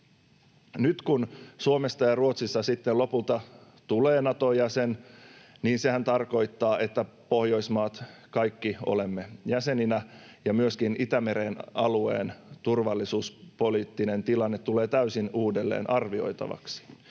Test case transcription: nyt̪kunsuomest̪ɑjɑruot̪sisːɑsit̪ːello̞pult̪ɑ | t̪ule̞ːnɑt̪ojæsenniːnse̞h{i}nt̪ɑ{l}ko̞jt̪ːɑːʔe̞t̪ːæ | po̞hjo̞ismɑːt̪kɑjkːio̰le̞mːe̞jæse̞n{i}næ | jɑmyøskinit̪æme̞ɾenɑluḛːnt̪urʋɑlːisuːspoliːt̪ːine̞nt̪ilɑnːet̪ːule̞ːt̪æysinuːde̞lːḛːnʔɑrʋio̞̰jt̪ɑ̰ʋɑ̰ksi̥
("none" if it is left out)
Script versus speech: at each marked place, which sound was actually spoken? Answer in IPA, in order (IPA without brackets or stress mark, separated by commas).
æ, r, i